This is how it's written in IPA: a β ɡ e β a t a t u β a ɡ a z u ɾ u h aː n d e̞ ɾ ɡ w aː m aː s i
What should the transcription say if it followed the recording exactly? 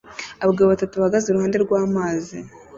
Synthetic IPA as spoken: a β ɡ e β a t a t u β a ɡ a z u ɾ u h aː n d e̞ ɾ ɡ w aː m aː z i

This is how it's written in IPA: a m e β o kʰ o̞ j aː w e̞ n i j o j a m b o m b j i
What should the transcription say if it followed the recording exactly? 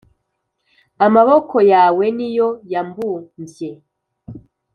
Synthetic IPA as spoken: a m a β o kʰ o̞ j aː w e̞ n i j o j a m b u m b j e

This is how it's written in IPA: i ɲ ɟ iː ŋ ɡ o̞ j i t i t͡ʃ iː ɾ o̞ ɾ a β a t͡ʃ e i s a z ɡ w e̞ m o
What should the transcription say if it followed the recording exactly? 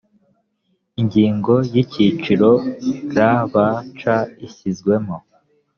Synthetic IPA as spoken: i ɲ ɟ iː ŋ ɡ o̞ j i c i t͡ʃ i ɾ o̞ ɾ a β a t͡ʃ a i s i z ɡ w e̞ m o

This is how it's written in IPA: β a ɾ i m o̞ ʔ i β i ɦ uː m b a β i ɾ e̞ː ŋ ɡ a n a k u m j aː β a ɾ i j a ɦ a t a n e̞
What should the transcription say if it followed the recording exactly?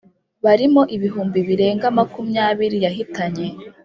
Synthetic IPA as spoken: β a ɾ i m o̞ ʔ i β i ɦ uː m b i β i ɾ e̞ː ŋ ɡ a m a k u m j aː β i ɾ i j a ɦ i t a ɲ e̞

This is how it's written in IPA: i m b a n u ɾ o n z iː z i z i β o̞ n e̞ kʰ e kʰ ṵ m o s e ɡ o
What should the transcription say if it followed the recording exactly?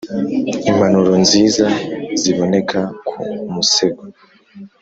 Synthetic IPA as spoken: i m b a n u ɾ o n z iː z a z i β o̞ n e̞ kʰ a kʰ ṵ m u s e ɡ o

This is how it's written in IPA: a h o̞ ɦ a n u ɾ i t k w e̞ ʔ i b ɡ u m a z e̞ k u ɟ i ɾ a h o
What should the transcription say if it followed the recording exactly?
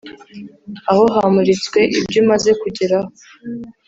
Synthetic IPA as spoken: a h o̞ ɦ a m u ɾ i t͡s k w e̞ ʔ i b ɟ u m a z e̞ k u ɟ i ɾ a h o

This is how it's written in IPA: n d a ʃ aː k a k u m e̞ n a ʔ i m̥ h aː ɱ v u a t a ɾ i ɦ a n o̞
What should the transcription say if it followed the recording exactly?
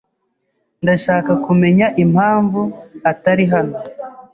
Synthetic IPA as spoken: n d a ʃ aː k a k u m e̞ ɲ a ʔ i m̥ h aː ɱ v u a t a ɾ i ɦ a n o̞

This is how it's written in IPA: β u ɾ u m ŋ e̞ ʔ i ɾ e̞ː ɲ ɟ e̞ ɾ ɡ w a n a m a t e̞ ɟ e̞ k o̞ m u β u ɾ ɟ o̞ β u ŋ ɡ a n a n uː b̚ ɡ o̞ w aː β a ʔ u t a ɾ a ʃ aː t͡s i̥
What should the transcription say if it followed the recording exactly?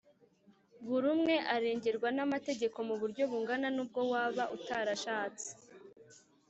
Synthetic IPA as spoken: β u ɾ u m ŋ e̞ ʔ a ɾ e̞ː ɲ ɟ e̞ ɾ ɡ w a n a m a t e̞ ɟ e̞ k o̞ m u β u ɾ ɟ o̞ β u ŋ ɡ a n a n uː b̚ ɡ o̞ w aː β a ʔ u t a ɾ a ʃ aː t͡s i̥

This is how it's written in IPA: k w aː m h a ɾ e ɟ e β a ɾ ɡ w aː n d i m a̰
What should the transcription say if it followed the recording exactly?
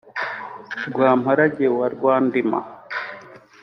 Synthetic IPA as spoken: ɡ w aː m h a ɾ a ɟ e w a ɾ ɡ w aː n d i m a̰

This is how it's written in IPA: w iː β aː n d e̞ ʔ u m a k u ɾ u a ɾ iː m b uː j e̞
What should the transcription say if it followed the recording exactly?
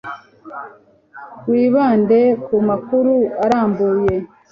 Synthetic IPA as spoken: w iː β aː n d e̞ k u m a k u ɾ u a ɾ aː m b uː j e̞

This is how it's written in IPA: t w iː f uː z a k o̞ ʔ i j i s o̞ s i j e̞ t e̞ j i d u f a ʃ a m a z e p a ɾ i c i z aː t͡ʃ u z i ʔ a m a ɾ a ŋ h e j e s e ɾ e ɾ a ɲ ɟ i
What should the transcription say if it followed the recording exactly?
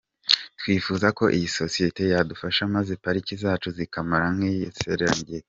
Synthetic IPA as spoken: t w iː f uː z a k o̞ ʔ i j i s o̞ s i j e̞ t e̞ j a d u f a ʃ a m a z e p a ɾ i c i z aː t͡ʃ u z i k a m a ɾ a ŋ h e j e s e ɾ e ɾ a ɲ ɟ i

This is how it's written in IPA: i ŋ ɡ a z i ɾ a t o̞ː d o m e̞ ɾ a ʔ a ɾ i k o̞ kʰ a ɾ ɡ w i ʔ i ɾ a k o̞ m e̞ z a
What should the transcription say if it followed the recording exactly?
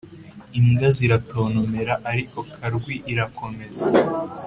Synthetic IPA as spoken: i ŋ ɡ a z i ɾ a t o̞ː n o m e̞ ɾ a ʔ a ɾ i k o̞ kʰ a ɾ ɡ w i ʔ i ɾ a k o̞ m e̞ z a

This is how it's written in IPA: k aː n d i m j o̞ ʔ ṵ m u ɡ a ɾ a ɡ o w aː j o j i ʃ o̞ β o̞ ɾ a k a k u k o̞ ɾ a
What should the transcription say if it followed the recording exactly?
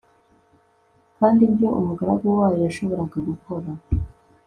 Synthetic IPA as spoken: k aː n d i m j o̞ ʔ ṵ m u ɡ a ɾ a ɡ o w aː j o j a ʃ o̞ β o̞ ɾ a ɡ a ɡ u k o̞ ɾ a

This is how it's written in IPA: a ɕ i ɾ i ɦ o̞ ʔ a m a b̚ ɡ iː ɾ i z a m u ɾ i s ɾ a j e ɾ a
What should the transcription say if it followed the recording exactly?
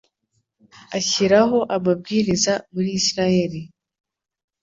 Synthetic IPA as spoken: a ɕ i ɾ a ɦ o̞ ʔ a m a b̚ ɡ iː ɾ i z a m u ɾ i s ɾ a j e ɾ i

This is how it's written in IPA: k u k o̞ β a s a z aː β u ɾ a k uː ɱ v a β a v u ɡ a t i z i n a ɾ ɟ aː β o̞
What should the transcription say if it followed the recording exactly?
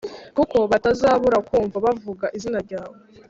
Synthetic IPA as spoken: k u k o̞ β a t a z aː β u ɾ a k uː ɱ v a β a v u ɡ a ʔ i z i n a ɾ ɟ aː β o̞

